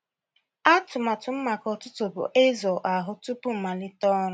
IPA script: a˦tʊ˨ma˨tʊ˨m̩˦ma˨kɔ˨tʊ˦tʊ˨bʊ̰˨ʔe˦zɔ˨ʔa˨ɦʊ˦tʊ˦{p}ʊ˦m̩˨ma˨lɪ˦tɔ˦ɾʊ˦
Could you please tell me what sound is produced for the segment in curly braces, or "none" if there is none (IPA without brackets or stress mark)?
p